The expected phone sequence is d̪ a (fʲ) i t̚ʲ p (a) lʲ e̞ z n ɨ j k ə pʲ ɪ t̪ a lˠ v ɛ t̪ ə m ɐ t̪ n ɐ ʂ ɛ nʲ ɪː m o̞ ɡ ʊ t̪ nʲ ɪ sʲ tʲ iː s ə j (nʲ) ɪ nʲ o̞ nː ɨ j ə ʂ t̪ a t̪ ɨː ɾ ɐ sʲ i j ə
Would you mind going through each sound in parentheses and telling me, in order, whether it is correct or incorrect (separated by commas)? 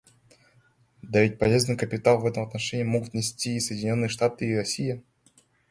incorrect, incorrect, incorrect